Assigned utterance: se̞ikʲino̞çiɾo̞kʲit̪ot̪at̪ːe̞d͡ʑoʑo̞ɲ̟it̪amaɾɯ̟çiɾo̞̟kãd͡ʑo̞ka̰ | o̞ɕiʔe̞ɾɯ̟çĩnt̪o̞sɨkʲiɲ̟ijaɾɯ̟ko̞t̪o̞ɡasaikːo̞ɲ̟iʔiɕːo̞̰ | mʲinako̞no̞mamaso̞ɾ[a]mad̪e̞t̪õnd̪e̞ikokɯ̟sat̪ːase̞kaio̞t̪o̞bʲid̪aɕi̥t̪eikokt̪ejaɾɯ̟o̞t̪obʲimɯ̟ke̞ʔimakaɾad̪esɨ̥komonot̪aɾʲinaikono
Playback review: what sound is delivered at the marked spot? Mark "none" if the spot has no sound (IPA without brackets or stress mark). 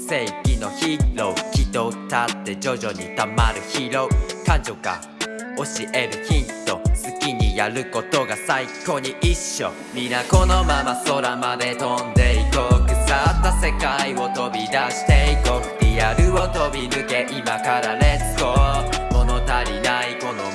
a